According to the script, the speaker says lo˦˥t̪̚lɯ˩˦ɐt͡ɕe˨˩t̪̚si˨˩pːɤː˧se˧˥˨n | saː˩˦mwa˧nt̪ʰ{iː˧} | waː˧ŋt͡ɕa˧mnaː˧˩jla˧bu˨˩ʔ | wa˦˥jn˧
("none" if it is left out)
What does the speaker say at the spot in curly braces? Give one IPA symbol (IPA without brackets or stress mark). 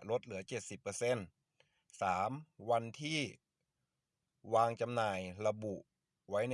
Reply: iː˥˩